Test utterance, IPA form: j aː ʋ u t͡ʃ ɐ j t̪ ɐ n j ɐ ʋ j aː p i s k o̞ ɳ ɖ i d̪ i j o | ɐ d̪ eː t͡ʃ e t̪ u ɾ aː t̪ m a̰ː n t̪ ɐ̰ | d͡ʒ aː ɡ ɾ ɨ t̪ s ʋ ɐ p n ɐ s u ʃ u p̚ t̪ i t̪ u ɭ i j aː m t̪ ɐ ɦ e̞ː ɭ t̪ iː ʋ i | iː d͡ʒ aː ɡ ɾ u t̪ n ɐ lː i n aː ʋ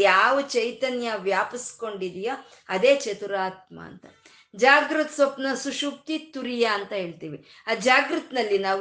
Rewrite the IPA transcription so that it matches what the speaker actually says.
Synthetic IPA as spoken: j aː ʋ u t͡ʃ ɐ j t̪ ɐ n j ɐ ʋ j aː p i s k o̞ ɳ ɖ i d̪ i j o | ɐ d̪ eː t͡ʃ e t̪ u ɾ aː t̪ m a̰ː n t̪ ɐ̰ | d͡ʒ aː ɡ ɾ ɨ t̪ s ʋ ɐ p n ɐ s u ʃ u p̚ t̪ i t̪ u ɾ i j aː n t̪ ɐ ɦ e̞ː ɭ t̪ iː ʋ i | aː d͡ʒ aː ɡ ɾ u t̪ n ɐ lː i n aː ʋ